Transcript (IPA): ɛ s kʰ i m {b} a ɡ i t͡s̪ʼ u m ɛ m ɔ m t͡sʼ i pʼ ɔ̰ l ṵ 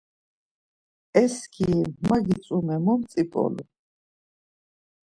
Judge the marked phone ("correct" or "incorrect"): incorrect